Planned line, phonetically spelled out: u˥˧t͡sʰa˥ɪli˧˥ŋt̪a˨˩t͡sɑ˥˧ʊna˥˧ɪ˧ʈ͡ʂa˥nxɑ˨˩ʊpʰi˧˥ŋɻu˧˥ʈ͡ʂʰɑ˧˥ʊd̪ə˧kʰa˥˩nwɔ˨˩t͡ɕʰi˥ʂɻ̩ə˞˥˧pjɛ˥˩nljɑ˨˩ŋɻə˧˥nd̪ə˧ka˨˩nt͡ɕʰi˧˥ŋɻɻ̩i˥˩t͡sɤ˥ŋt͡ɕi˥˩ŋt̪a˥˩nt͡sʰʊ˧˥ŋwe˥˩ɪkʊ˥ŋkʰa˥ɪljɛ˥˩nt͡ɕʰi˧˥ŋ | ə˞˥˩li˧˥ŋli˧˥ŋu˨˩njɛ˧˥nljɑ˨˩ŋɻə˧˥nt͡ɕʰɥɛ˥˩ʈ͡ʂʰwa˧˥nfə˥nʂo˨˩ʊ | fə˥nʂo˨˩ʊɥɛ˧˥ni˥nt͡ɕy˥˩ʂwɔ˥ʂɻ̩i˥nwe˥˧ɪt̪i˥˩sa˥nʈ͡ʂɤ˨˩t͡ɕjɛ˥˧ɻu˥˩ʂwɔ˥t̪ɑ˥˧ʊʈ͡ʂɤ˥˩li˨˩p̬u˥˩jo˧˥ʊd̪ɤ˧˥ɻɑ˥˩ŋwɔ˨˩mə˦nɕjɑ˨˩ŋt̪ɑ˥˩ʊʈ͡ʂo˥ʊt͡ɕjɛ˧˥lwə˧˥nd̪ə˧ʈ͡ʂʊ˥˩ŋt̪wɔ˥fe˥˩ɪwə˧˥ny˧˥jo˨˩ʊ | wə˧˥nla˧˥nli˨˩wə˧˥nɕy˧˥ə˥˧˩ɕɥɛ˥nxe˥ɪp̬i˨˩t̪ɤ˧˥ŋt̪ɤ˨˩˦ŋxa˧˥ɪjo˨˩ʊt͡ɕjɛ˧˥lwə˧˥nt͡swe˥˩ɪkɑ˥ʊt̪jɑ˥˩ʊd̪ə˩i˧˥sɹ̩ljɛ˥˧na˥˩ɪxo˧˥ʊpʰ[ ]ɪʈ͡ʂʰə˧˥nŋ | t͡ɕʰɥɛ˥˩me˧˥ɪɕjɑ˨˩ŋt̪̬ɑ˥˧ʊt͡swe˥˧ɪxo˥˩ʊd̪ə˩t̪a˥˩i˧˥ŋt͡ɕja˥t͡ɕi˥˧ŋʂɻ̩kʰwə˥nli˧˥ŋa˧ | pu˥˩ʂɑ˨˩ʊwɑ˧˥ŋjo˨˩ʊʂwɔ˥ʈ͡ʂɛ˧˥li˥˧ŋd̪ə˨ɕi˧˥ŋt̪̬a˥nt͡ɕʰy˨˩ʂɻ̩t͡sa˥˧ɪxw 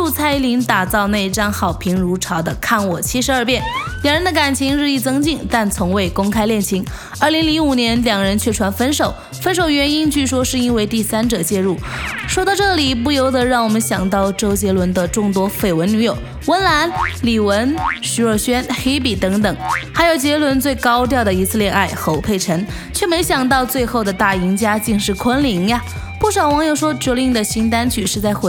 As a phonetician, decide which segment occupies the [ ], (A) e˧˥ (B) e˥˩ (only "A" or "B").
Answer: B